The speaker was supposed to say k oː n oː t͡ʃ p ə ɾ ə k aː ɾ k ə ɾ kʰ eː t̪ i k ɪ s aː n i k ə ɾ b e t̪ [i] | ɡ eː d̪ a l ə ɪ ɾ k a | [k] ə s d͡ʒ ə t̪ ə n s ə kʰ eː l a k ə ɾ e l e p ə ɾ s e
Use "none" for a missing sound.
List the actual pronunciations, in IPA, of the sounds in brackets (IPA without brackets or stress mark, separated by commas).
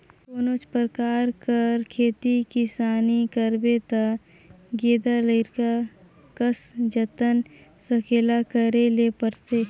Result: a, k